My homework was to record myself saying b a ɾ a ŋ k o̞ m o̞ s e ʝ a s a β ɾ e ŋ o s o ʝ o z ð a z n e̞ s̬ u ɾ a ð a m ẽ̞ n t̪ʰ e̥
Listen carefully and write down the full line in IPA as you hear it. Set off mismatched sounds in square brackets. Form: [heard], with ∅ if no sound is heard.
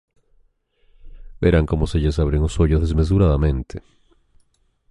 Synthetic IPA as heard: b [e] ɾ a ŋ k o̞ m o̞ s e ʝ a s a β ɾ e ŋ o s o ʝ o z ð [e] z [m] e̞ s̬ u ɾ a ð a m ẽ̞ n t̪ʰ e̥